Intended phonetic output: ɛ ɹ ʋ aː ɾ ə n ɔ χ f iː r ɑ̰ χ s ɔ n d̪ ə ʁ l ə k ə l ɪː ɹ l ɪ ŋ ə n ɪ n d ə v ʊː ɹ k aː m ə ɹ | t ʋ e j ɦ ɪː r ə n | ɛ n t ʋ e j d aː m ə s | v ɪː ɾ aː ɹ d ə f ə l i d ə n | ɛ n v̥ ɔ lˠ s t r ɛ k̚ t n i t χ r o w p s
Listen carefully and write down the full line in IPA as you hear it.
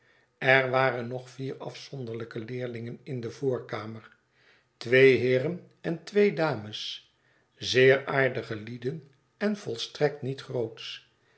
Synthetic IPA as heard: ɛ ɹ ʋ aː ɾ ə n ɔ χ f iː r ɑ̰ f s ɔ n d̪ ə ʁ l ə k ə l ɪː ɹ l ɪ ŋ ə n ɪ n d ə v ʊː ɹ k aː m ə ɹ | t ʋ e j ɦ ɪː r ə n | ɛ n t ʋ e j d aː m ə s | z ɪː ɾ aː ɹ d ə χ ə l i d ə n | ɛ n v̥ ɔ lˠ s t r ɛ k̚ t n i t χ r o w t s